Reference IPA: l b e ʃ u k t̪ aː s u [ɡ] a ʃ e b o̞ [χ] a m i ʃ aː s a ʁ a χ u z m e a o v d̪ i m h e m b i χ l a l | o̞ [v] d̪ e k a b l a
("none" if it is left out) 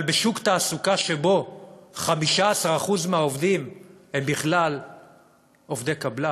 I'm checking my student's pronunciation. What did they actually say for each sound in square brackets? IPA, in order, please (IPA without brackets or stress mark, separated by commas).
k, χ, v